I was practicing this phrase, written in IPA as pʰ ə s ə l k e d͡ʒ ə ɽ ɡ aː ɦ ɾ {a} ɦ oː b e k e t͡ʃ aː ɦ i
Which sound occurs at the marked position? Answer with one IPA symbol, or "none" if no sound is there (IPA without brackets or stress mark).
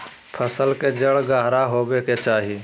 a